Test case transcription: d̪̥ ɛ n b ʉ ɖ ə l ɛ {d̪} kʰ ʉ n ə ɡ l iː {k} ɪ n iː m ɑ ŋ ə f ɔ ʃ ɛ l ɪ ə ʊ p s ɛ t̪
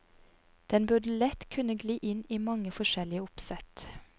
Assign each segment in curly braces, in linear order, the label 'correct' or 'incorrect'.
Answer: incorrect: t̪, incorrect: ʔ

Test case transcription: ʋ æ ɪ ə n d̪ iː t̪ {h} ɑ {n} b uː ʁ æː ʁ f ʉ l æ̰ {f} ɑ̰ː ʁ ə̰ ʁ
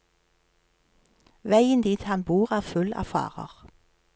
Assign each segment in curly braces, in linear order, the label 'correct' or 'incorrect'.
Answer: correct, correct, correct

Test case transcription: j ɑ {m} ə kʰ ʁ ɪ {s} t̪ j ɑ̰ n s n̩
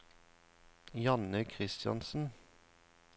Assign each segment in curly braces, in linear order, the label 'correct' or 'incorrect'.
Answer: incorrect: n, correct

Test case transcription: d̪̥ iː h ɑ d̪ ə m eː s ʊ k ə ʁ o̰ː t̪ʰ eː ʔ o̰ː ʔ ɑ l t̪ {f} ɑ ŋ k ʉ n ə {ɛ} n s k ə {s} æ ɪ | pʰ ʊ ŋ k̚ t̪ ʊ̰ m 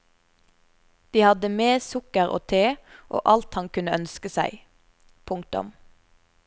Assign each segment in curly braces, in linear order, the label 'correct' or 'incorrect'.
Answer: incorrect: h, incorrect: œ, correct

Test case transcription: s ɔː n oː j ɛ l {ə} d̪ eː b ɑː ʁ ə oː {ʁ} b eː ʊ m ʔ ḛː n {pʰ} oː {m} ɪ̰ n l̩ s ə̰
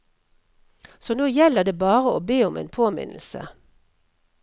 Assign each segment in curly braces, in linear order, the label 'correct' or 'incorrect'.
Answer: correct, incorrect: none, correct, correct

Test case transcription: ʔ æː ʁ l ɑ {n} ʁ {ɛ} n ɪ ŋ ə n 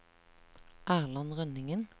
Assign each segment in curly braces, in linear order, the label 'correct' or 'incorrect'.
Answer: correct, incorrect: œ

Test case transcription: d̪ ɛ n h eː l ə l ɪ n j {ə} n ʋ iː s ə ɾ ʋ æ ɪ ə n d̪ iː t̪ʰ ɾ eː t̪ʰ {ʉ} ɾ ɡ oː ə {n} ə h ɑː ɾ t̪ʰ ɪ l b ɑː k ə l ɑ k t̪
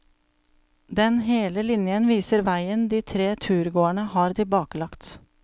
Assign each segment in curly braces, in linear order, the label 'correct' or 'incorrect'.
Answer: correct, incorrect: ʉː, incorrect: ɳ

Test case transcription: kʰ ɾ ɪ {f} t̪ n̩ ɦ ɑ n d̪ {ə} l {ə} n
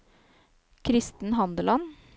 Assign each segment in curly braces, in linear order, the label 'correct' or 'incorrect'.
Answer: incorrect: s, correct, incorrect: ɑ

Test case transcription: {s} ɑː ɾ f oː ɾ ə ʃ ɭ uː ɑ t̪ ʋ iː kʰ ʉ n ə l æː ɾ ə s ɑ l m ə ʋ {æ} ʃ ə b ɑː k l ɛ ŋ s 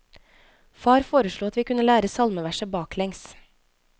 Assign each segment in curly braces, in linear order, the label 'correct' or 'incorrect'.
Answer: incorrect: f, correct

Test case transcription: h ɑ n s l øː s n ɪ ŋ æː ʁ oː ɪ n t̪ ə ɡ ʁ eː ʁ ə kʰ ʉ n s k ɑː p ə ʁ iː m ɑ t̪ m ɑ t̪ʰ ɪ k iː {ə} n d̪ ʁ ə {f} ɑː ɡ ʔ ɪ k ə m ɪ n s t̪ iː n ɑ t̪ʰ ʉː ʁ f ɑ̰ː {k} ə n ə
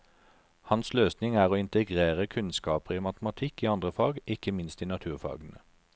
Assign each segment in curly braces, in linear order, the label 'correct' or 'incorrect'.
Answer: incorrect: ɑ, correct, incorrect: ɡ

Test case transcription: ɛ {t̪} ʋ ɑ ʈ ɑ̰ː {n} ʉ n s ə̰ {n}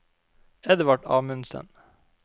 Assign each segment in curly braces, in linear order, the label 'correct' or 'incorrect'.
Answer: incorrect: d̪, incorrect: m, correct

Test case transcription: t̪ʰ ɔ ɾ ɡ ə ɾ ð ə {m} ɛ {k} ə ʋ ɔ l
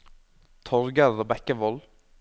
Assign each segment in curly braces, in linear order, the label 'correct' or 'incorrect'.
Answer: incorrect: b, correct

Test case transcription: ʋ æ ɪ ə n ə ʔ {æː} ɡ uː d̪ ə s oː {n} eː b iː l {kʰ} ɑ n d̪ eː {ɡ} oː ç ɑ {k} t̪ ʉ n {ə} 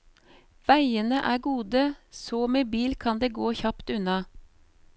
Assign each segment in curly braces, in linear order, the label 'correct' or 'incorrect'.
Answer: correct, incorrect: m, correct, correct, incorrect: p, incorrect: ɑ

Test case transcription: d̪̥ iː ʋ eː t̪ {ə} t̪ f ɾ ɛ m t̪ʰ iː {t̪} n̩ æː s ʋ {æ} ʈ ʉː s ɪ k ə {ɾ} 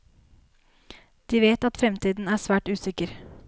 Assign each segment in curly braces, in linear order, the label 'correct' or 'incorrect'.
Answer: incorrect: ɑ, incorrect: d̪, incorrect: æː, correct

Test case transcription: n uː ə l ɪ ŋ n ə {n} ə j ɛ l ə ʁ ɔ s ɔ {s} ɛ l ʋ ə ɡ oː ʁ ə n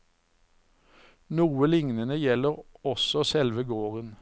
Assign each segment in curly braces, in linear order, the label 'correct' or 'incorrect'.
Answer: correct, correct

